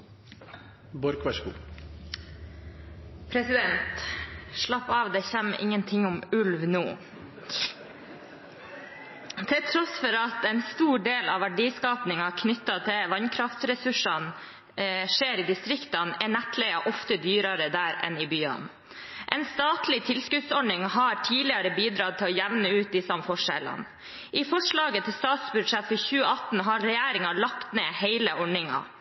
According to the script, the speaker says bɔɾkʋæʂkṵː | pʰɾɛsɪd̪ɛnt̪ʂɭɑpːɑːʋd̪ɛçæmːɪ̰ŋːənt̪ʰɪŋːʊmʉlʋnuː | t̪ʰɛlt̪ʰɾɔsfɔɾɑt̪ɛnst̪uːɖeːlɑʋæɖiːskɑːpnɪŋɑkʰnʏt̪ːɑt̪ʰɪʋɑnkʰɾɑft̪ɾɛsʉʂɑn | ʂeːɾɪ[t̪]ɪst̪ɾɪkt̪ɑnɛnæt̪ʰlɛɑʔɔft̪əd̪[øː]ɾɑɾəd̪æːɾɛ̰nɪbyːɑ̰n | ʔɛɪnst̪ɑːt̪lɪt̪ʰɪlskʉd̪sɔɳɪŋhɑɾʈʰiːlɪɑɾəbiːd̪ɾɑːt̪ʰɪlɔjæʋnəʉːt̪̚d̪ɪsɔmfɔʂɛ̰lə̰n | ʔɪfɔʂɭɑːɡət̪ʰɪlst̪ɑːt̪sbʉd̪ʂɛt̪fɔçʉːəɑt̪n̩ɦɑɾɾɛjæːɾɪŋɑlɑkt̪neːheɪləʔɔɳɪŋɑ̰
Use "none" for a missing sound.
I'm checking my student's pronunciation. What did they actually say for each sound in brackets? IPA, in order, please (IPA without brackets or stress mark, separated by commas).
d̪, yː